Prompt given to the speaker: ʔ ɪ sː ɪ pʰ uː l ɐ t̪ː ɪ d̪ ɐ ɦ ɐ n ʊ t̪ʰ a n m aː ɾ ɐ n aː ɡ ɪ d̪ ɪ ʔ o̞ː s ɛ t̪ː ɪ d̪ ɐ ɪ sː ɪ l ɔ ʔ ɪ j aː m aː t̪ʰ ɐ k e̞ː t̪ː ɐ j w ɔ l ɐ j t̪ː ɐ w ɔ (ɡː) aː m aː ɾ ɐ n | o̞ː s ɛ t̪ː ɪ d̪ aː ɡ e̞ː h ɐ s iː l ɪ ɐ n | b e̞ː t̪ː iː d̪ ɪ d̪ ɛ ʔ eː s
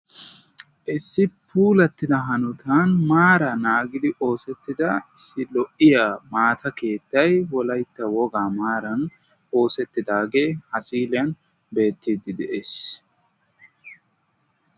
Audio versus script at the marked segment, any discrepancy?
yes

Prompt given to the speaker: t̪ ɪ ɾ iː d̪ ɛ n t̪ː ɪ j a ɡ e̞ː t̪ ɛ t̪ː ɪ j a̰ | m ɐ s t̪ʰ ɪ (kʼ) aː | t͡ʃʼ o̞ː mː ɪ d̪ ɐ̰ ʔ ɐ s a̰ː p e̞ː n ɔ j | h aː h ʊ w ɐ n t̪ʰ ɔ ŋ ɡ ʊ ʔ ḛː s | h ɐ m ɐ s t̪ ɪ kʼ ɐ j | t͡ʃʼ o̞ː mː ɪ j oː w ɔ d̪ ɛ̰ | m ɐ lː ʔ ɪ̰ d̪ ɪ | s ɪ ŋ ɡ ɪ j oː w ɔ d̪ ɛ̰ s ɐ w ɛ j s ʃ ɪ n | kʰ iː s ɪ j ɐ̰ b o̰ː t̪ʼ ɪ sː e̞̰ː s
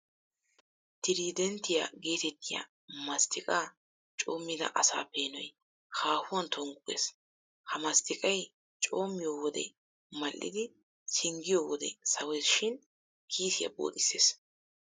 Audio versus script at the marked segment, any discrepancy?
no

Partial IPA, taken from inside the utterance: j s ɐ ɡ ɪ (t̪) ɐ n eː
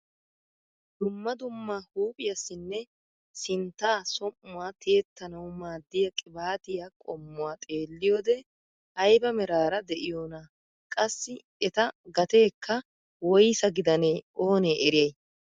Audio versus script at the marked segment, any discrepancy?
yes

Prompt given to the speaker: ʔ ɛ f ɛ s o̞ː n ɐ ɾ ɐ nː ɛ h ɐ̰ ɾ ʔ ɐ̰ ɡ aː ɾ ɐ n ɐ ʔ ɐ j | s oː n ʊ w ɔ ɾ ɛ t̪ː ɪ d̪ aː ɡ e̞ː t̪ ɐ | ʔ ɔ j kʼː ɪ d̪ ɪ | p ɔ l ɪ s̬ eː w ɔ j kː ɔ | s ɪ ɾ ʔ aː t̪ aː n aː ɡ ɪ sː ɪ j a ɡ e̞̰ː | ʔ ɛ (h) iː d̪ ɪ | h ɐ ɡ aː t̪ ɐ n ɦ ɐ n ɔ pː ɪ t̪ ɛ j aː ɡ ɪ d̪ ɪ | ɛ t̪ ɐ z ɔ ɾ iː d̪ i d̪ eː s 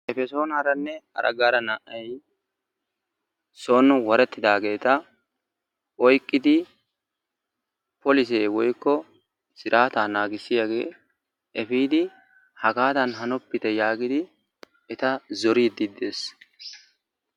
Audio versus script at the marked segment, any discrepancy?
yes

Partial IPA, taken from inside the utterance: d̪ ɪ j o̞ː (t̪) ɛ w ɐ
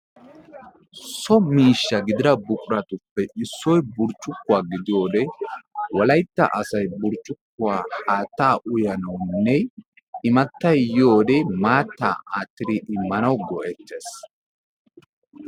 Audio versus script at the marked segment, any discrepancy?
yes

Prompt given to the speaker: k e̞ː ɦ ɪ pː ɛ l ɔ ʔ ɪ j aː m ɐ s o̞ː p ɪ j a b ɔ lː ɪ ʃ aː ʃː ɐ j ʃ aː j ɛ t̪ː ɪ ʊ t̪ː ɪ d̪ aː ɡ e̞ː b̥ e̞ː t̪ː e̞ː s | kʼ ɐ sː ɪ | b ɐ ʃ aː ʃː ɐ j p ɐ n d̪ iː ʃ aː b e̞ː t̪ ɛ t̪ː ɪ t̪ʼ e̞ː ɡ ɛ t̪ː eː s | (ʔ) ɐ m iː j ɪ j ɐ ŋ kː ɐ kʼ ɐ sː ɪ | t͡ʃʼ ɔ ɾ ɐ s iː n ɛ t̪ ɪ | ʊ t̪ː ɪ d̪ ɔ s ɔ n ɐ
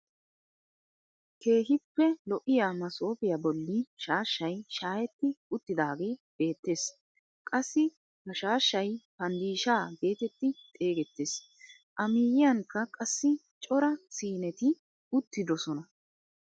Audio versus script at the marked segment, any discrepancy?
no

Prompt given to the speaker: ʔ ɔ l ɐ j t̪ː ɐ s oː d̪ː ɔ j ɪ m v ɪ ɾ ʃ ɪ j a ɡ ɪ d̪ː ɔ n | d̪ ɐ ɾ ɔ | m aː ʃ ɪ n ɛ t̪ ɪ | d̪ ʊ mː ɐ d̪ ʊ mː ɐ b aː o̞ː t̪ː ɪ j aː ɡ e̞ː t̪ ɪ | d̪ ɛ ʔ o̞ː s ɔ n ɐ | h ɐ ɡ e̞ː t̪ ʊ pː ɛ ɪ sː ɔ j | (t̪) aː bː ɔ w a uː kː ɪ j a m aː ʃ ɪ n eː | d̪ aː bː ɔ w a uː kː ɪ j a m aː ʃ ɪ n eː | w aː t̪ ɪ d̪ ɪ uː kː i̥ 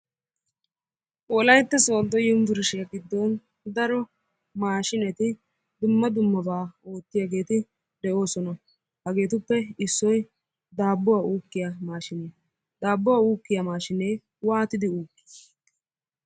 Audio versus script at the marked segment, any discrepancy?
yes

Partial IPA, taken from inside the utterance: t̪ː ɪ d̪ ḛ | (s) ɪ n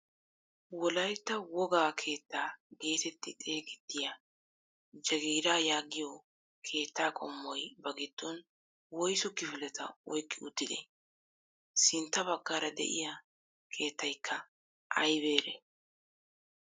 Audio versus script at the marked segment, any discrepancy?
no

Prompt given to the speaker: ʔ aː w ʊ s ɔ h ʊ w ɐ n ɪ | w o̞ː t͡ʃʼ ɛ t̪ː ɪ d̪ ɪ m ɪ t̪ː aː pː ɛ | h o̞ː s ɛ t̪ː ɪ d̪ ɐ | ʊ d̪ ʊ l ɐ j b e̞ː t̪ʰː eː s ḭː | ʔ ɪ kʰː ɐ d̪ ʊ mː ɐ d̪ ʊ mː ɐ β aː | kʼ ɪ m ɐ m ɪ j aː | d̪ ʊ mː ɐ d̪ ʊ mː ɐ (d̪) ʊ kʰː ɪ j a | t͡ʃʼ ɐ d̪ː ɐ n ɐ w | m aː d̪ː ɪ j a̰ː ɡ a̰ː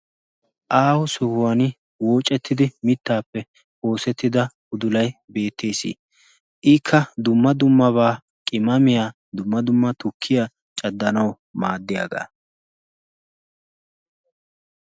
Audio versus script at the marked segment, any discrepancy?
yes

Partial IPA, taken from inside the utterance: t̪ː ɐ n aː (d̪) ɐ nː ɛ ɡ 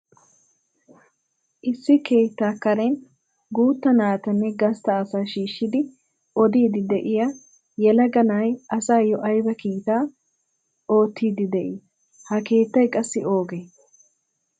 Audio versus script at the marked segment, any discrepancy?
yes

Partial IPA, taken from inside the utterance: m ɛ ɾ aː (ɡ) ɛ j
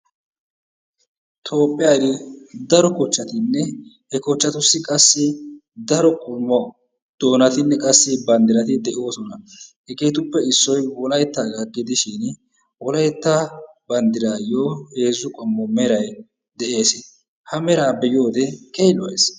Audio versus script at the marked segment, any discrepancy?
yes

